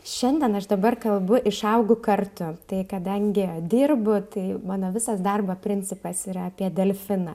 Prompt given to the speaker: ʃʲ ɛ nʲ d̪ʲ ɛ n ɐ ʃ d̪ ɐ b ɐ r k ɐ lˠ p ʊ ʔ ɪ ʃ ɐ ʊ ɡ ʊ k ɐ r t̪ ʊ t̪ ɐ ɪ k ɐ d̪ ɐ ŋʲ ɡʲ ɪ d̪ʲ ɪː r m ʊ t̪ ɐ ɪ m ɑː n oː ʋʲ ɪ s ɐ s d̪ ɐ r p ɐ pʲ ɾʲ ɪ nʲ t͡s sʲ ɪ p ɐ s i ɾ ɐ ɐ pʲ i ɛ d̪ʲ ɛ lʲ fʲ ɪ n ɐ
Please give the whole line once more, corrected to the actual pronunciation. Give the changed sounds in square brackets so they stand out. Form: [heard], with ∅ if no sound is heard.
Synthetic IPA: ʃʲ ɛ nʲ d̪ʲ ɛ n ɐ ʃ d̪ ɐ b ɐ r k ɐ lˠ [b] ʊ ʔ ɪ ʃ ɐ ʊ ɡ ʊ k ɐ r t̪ ʊ t̪ ɐ ɪ k ɐ d̪ ɐ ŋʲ ɡʲ ɪ d̪ʲ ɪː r [b] ʊ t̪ ɐ ɪ m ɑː n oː ʋʲ ɪ s ɐ s d̪ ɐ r [b] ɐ pʲ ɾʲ ɪ nʲ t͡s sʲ ɪ p ɐ s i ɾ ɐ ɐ pʲ i ɛ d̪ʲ ɛ lʲ fʲ ɪ n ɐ